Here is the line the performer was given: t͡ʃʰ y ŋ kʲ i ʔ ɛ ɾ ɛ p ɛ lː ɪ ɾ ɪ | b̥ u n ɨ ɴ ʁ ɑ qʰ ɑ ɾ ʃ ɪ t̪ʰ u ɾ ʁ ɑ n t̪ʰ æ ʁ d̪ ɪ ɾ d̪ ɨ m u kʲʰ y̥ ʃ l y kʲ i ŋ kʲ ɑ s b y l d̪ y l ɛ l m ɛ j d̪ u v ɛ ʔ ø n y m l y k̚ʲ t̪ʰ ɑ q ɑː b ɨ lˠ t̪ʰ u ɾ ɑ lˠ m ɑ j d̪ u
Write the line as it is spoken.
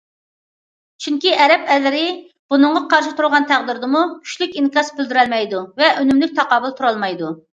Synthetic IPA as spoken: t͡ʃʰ y ŋ kʲ i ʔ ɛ ɾ ɛ p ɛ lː ɪ ɾ ɪ | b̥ u n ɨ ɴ ʁ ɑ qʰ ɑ ɾ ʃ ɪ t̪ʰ u ɾ ʁ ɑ n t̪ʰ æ ʁ d̪ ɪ ɾ d̪ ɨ m u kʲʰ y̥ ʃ l y kʲ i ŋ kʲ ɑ s b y l d̪ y ɾ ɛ l m ɛ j d̪ u v ɛ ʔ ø n y m l y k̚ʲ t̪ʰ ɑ q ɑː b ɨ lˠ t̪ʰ u ɾ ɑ lˠ m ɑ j d̪ u

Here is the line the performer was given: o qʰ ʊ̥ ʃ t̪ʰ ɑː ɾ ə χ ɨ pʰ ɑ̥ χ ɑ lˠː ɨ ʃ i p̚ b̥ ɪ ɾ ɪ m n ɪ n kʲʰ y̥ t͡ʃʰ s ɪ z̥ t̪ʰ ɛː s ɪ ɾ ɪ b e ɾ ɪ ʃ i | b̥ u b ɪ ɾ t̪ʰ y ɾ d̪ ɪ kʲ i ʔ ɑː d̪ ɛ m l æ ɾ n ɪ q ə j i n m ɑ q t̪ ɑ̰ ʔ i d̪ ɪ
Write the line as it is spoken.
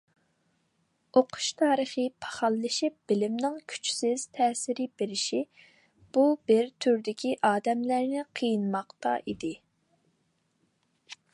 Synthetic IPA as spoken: o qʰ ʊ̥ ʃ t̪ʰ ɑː ɾ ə χ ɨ pʰ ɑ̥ χ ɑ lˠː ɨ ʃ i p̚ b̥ ɪ l ɪ m n ɪ ŋ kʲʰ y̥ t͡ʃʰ s ɪ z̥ t̪ʰ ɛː s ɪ ɾ ɪ b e ɾ ɪ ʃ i | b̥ u b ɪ ɾ t̪ʰ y ɾ d̪ ɪ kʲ i ʔ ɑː d̪ ɛ m l æ ɾ n ɪ qʰ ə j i n m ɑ q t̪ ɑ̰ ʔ i d̪ ɪ

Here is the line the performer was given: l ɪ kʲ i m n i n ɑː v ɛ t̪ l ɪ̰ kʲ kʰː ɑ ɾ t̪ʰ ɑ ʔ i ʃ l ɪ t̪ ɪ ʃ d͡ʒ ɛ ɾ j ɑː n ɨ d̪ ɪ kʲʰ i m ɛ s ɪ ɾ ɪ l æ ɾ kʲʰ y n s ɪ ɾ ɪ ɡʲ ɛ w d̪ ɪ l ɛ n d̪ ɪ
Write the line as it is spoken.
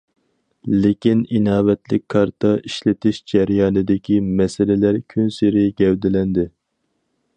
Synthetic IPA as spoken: l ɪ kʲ i n i n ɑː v ɛ t̪ l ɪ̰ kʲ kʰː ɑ ɾ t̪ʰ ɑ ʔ i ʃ l ɪ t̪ ɪ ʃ d͡ʒ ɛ ɾ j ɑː n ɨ d̪ ɪ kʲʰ i m ɛ s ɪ l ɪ l æ ɾ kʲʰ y n s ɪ ɾ ɪ ɡʲ ɛ w d̪ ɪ l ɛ n d̪ ɪ

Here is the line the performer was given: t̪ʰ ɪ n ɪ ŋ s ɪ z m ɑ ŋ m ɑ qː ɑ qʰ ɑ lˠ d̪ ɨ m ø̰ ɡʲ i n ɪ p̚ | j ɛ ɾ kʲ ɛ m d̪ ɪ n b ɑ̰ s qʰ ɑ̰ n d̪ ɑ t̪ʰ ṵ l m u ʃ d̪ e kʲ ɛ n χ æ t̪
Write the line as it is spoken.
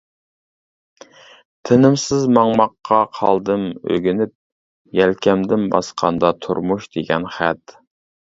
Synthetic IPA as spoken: t̪ʰ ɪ n ɪ m s ɪ z m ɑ ŋ m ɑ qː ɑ qʰ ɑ lˠ d̪ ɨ m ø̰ ɡʲ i n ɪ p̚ | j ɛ l kʲ ɛ m d̪ ɪ n b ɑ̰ s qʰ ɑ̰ n d̪ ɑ t̪ʰ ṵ ɾ m u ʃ d̪ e ɡʲ ɛ n χ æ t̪

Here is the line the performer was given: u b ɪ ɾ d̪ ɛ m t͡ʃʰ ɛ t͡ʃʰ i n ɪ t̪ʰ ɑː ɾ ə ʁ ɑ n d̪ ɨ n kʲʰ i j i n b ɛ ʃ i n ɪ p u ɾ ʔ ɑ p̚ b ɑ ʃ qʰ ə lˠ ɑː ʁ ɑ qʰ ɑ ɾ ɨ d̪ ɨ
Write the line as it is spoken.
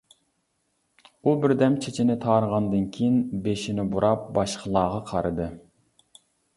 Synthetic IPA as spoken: u b ɪ ɾ d̪ ɛ m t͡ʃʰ e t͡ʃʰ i n ɪ t̪ʰ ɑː ɾ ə ʁ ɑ n d̪ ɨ n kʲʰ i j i n b e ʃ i n ɪ b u ɾ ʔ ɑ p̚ b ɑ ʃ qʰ ə lˠ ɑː ʁ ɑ qʰ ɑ ɾ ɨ d̪ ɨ

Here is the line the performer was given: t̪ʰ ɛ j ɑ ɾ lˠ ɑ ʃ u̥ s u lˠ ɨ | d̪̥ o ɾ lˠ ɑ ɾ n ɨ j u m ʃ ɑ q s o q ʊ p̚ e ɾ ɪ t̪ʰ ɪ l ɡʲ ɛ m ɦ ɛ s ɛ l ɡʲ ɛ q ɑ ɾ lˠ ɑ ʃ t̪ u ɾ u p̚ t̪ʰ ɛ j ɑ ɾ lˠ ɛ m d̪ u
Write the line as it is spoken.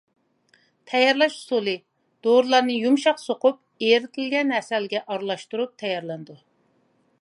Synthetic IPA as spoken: t̪ʰ ɛ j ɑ ɾ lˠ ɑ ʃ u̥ s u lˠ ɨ | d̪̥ o ɾ lˠ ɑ ɾ n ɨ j u m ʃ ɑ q s o q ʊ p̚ e ɾ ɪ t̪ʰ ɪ l ɡʲ ɛ n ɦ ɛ s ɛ l ɡʲ ɛ ʔ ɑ ɾ lˠ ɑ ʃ t̪ u ɾ u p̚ t̪ʰ ɛ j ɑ ɾ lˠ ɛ n d̪ u

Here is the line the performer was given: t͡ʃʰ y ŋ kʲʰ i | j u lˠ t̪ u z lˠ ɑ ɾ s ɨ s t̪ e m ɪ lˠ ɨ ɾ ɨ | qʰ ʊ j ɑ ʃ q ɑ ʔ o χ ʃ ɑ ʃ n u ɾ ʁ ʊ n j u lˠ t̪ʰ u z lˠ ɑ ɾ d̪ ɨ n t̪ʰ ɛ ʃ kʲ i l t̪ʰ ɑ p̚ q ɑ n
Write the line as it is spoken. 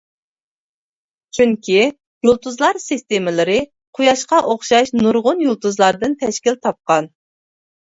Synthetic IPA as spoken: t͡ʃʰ y ŋ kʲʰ i | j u lˠ t̪ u z lˠ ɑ ɾ s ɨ s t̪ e m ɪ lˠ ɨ ɾ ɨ | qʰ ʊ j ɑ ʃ q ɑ ʔ o χ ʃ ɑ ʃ n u ɾ ʁ ʊ n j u lˠ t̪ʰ u z lˠ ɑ ɾ d̪ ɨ n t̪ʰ ɛ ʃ kʲ i l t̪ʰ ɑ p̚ q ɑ n

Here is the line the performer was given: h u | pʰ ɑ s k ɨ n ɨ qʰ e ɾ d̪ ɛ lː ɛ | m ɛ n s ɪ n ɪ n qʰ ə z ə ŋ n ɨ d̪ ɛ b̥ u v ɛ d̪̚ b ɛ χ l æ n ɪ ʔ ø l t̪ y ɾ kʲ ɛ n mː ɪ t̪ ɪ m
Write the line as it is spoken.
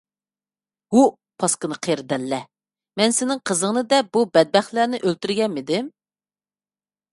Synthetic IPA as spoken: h u | pʰ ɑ s k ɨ n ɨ qʰ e ɾ d̪ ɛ lː ɛ | m ɛ n s ɪ n ɪ ŋ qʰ ə z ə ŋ n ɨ d̪ ɛ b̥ u b ɛ d̪̚ b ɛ χ l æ n ɪ ʔ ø l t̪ y ɾ ɡʲ ɛ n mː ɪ d̪ ɪ m

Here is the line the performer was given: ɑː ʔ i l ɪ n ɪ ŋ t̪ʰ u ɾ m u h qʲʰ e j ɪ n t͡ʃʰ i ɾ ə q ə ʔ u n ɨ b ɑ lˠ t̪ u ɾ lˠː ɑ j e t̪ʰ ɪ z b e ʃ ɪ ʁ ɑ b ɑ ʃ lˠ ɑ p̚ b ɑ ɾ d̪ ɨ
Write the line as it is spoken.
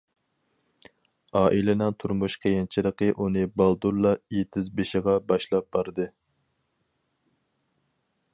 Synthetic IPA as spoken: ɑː ʔ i l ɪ n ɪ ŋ t̪ʰ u ɾ m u ʃ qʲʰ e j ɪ n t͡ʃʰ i ɾ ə q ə ʔ u n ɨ b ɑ lˠ d̪ u ɾ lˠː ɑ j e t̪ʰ ɪ z b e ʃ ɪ ʁ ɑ b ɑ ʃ lˠ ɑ p̚ b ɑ ɾ d̪ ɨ

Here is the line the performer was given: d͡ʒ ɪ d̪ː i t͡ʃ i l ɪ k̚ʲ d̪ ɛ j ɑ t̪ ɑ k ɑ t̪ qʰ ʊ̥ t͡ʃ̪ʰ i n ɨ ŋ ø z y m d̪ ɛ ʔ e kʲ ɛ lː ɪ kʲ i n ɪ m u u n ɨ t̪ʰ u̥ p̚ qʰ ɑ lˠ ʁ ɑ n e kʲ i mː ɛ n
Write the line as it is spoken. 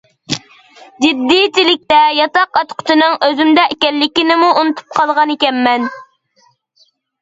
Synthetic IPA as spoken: d͡ʒ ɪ d̪ː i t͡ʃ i l ɪ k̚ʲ t̪ ɛ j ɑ t̪ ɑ q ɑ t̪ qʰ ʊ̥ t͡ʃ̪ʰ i n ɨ ŋ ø z y m d̪ ɛ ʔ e kʲ ɛ lː ɪ kʲ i n ɪ m u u n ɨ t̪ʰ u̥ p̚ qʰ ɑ lˠ ʁ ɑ n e kʲ ɛ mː ɛ n

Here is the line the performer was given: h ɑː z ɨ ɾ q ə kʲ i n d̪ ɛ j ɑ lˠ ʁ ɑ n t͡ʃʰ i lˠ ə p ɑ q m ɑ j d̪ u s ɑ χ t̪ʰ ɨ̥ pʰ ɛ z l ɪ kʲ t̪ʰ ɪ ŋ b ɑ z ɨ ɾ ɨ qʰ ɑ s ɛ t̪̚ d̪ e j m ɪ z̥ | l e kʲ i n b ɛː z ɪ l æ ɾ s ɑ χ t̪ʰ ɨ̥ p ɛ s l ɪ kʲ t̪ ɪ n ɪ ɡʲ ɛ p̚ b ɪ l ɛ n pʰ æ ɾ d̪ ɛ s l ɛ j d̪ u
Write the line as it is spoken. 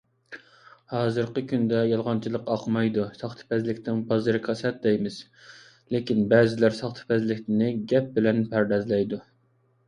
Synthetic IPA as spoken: h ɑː z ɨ ɾ q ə kʲ y n d̪ ɛ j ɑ lˠ ʁ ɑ n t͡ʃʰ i lˠ ə q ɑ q m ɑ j d̪ u s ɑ χ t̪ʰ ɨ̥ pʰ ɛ z l ɪ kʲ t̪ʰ ɪ ŋ b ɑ z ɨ ɾ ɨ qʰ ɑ s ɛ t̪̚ d̪ ɛ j m ɪ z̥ | l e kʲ i n b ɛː z ɪ l æ ɾ s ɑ χ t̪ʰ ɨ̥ p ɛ z l ɪ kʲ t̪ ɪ n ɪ ɡʲ ɛ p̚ b ɪ l ɛ n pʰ æ ɾ d̪ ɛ z l ɛ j d̪ u

